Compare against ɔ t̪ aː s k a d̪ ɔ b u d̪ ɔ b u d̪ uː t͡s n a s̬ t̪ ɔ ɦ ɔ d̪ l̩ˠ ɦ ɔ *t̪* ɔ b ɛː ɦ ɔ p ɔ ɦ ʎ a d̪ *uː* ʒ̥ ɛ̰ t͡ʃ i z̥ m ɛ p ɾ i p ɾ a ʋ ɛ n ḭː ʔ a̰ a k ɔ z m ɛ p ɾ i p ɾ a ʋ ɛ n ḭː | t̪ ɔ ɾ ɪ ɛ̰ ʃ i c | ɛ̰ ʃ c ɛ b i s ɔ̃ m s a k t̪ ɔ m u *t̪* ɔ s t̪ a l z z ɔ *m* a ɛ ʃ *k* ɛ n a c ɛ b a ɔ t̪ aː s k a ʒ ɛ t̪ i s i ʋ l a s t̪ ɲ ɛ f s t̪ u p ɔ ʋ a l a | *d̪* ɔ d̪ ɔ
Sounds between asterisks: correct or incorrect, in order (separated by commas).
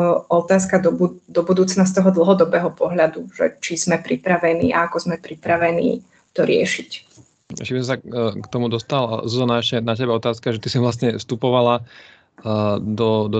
incorrect, incorrect, incorrect, incorrect, incorrect, correct